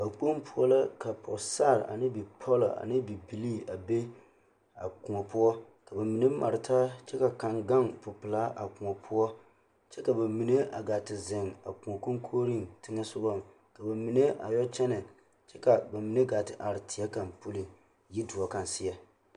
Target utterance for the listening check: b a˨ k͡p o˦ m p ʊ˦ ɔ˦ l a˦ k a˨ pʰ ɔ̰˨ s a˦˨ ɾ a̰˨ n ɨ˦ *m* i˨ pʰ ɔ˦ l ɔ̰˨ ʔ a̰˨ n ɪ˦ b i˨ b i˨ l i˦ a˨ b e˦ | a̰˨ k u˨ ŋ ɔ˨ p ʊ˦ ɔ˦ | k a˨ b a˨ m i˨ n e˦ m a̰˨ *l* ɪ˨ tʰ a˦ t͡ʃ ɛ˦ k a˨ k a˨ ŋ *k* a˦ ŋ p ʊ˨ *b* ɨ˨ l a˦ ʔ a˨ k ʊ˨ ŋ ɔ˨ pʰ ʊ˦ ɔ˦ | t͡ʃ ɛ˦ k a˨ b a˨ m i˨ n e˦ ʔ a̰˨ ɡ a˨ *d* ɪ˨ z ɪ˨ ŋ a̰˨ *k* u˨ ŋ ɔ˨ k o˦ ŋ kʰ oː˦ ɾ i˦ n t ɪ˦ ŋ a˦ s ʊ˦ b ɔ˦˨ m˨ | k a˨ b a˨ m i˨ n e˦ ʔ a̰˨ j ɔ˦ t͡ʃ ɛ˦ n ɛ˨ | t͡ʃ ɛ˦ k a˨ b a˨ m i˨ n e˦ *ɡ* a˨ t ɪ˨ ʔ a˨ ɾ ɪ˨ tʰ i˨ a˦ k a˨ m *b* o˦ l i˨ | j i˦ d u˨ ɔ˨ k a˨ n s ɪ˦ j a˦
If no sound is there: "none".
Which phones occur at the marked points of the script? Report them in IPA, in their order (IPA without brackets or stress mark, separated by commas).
b, ɾ, ɡ, p, t, k, ɡ, p